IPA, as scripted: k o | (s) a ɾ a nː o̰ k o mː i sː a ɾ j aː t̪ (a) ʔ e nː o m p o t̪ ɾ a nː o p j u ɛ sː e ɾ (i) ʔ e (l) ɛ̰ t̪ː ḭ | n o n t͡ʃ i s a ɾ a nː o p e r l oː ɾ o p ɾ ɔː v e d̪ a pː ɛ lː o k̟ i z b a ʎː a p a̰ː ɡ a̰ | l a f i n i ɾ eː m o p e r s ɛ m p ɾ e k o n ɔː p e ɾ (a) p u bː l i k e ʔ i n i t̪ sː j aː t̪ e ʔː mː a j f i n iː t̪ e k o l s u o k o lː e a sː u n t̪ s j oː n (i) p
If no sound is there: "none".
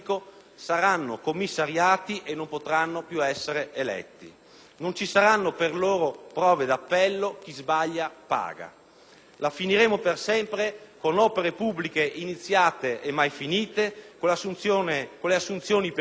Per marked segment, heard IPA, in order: s, i, e, l, e, i

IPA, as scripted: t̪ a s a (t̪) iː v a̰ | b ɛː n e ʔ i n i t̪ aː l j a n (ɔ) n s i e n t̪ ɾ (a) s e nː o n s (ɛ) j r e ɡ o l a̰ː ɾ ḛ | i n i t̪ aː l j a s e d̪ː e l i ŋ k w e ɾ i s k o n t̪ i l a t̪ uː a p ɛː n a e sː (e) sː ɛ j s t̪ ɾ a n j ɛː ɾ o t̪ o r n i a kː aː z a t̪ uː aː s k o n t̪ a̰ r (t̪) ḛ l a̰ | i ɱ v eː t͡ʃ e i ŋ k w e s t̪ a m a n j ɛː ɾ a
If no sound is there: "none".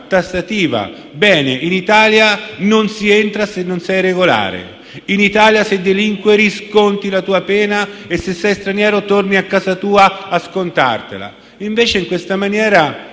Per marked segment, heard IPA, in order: t̪, o, a, ɛ, e, t̪

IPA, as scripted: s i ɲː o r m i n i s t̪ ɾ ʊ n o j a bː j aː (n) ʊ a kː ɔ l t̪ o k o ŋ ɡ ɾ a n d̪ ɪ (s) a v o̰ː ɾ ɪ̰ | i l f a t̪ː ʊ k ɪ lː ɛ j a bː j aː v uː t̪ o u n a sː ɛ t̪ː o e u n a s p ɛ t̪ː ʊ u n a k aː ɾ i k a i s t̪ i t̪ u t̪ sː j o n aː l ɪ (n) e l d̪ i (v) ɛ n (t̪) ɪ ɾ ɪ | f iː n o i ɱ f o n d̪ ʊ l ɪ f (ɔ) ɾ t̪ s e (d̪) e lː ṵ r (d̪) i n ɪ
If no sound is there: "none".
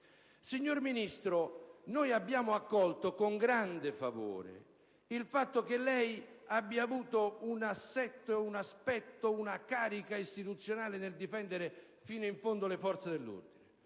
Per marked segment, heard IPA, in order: m, f, n, f, d̪, ɔ, d̪, d̪

